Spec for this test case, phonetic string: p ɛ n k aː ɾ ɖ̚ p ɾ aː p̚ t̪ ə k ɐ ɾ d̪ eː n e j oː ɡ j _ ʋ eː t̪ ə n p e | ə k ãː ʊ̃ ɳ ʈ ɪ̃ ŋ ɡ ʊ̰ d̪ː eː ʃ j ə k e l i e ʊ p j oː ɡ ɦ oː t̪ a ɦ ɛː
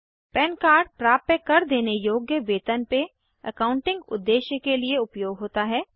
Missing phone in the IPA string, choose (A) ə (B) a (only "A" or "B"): A